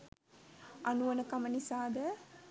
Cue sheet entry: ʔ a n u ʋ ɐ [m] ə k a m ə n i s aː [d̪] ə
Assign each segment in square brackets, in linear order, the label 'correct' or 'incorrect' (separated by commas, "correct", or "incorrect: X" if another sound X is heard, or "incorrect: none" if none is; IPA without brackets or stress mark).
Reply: incorrect: n, correct